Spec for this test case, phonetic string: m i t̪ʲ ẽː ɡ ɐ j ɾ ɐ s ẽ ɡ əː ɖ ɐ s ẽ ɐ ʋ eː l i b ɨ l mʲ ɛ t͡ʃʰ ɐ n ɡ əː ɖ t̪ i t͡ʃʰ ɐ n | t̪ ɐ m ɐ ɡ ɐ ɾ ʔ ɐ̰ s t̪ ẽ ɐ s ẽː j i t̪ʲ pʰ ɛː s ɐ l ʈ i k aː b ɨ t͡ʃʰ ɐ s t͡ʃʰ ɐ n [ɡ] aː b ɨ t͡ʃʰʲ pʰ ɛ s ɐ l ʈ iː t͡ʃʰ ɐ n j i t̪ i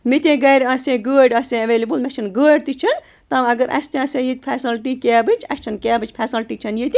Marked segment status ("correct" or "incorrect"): incorrect